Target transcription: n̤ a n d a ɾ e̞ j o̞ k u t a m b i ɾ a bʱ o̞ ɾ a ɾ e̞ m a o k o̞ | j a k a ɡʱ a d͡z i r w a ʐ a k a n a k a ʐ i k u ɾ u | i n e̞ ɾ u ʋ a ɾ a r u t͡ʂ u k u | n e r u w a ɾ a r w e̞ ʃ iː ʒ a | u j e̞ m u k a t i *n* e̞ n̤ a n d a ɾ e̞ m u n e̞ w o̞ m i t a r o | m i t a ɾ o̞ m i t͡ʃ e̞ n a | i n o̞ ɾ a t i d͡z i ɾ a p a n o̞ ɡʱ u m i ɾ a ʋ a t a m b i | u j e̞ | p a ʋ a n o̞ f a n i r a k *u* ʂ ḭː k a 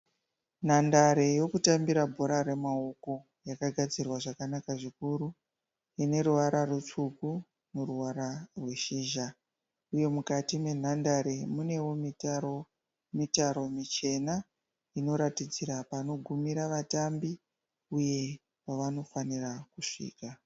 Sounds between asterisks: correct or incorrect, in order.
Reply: incorrect: m, correct

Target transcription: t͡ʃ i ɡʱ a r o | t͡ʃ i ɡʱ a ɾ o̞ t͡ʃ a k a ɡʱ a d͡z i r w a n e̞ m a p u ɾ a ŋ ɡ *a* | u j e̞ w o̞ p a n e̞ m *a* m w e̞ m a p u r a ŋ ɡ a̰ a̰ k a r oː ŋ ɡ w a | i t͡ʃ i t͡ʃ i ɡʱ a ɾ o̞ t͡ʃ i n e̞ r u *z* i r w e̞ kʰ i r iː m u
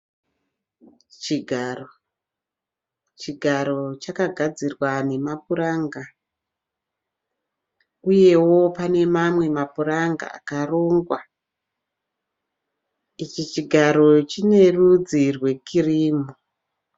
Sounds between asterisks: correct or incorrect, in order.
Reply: correct, correct, incorrect: d͡z

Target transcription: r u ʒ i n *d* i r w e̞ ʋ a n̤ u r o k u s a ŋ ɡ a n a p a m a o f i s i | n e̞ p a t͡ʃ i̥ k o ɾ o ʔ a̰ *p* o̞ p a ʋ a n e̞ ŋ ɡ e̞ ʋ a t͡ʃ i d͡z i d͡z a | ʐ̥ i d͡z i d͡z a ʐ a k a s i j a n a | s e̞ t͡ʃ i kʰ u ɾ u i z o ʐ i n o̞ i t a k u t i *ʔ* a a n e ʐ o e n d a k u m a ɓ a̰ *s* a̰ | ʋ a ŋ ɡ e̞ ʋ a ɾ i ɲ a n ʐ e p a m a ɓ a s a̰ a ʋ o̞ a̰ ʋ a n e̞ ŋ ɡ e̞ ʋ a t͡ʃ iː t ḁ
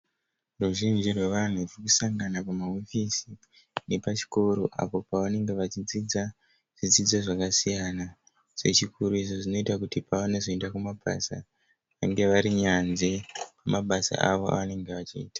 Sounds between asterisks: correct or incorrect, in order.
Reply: incorrect: d͡ʒ, correct, incorrect: p, correct

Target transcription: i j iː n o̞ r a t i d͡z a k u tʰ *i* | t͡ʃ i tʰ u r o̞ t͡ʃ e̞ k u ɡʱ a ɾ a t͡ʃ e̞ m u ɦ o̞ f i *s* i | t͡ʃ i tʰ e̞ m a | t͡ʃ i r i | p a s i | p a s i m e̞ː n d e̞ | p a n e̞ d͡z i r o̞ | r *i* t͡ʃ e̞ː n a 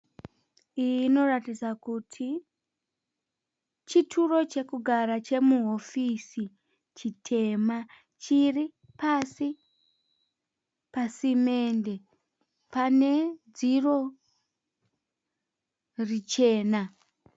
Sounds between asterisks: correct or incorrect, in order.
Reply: correct, correct, correct

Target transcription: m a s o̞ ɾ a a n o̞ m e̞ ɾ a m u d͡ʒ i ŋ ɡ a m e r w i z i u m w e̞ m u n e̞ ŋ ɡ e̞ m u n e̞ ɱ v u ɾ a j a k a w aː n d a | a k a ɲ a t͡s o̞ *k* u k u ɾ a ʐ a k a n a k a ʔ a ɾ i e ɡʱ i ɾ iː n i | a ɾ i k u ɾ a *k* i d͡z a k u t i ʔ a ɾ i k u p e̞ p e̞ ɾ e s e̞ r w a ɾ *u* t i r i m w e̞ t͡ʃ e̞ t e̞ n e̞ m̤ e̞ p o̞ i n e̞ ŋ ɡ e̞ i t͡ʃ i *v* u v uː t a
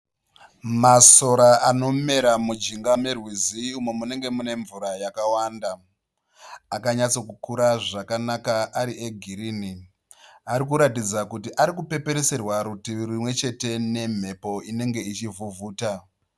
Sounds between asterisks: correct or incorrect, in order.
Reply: correct, incorrect: t, correct, correct

